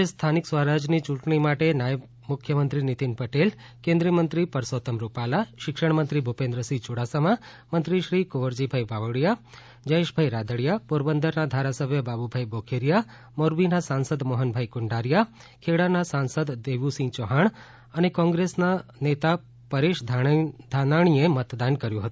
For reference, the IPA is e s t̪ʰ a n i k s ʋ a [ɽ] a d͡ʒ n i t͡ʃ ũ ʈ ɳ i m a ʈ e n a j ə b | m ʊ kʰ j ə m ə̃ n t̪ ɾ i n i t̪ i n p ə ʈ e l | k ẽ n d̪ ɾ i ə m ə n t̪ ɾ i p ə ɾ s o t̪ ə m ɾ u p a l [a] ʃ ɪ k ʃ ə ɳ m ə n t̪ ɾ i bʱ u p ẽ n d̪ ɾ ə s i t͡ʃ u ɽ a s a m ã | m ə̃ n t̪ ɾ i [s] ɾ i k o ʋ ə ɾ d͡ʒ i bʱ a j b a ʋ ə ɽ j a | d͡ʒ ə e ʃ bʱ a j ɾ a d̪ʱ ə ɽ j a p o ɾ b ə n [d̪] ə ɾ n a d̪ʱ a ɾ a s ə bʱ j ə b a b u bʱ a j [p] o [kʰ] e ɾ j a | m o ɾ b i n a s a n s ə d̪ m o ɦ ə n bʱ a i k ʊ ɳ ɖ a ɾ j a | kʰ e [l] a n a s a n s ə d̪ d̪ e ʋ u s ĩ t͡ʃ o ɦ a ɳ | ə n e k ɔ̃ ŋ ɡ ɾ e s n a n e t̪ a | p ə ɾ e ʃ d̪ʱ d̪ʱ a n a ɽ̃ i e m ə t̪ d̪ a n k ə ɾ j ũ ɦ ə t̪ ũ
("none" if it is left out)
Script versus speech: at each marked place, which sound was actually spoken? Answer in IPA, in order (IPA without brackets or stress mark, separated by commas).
ɾ, a, ʃ, d̪, b, kʰ, ɽ